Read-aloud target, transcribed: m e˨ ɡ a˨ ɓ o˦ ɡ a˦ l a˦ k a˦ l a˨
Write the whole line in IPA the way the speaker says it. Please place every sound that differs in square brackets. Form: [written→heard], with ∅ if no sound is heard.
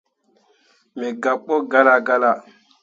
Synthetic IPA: m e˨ ɡ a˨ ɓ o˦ ɡ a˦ l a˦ [k→ɡ] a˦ l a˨

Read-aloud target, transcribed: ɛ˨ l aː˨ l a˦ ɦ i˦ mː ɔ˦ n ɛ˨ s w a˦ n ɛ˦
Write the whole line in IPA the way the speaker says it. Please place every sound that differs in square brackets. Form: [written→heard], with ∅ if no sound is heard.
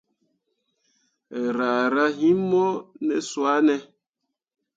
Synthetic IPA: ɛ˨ [l→ɾ] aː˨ [l→ɾ] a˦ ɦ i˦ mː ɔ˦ n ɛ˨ s w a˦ n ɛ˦

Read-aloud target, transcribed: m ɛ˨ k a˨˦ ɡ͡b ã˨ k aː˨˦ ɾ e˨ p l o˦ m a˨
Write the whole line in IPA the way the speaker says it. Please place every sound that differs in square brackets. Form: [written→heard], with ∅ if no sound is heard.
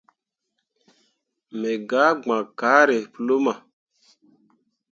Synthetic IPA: m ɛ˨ [k→ɡ] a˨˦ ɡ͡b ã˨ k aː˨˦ ɾ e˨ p l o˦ m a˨

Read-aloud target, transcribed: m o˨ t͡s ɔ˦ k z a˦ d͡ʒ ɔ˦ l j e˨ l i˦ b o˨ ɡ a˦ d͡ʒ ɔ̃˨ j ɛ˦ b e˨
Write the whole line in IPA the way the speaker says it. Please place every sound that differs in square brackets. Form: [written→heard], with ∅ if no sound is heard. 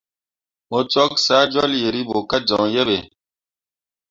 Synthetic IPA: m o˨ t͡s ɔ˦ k [z→s] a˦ d͡ʒ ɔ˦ l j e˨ [l→ɾ] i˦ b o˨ [ɡ→k] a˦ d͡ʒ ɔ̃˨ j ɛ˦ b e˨

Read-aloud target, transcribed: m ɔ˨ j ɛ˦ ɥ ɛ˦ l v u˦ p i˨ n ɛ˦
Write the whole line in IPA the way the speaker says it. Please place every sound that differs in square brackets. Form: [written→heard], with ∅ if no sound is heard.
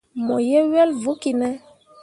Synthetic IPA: m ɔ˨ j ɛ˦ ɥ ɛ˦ l v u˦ [p→k] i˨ n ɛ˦

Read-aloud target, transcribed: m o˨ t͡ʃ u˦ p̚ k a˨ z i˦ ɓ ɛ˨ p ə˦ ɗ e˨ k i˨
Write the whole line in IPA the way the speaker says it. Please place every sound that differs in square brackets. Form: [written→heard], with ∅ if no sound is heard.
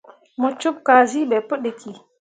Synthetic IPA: m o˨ t͡ʃ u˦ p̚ k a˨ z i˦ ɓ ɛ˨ p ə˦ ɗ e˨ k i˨

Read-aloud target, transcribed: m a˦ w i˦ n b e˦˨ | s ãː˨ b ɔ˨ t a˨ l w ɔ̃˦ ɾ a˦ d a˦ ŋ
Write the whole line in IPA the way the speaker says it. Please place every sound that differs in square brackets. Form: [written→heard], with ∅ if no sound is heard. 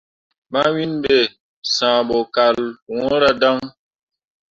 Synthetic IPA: m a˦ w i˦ n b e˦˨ | s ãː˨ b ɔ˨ [t→k] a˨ l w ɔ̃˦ ɾ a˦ d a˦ ŋ

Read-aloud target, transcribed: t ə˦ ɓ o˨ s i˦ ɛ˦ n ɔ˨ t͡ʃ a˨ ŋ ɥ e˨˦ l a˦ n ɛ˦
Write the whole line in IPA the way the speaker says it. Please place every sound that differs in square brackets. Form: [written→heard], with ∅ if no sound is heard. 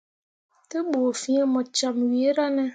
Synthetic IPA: t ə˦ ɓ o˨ [s→f] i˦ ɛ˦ [n→m] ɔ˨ t͡ʃ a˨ [ŋ→m] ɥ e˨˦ [l→ɾ] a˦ n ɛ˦

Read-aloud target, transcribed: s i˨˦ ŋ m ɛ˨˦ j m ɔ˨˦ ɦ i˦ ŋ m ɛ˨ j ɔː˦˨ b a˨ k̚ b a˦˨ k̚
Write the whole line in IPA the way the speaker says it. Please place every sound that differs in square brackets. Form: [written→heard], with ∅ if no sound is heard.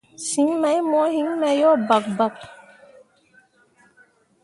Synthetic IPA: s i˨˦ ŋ m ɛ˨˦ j m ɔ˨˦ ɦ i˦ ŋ m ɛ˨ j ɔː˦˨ b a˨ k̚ b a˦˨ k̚

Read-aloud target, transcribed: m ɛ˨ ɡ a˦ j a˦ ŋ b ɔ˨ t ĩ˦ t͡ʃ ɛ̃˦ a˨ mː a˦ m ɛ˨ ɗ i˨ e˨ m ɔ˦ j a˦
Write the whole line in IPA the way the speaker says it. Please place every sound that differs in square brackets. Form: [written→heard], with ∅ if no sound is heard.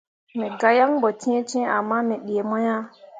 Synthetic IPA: m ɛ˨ ɡ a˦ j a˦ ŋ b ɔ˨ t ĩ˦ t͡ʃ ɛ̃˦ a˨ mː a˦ m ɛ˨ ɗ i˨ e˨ m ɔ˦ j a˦

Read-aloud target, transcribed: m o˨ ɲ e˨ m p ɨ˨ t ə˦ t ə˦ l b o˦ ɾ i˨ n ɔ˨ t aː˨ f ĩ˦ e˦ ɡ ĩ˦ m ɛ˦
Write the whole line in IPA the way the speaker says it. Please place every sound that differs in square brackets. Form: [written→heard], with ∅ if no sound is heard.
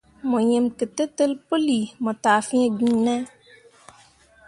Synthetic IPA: m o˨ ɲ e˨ m [p→k] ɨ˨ t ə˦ t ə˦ l [b→p] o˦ [ɾ→l] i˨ [n→m] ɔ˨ t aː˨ f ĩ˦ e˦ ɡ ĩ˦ [m→n] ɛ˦

